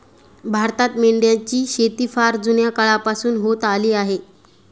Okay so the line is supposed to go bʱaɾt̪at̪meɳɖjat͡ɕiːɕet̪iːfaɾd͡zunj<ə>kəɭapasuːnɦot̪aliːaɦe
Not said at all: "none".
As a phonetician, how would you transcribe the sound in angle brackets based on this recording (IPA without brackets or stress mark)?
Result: a